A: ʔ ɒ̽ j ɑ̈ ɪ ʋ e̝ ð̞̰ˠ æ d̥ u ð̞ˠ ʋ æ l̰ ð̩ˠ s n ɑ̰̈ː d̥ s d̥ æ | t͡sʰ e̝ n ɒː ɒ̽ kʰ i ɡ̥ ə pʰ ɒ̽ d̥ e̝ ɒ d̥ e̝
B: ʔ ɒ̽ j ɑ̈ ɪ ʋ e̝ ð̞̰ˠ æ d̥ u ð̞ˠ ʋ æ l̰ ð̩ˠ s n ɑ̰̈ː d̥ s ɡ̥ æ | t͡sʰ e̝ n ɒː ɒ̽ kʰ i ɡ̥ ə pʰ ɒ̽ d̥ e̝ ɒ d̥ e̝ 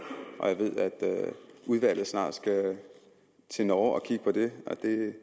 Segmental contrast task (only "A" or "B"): B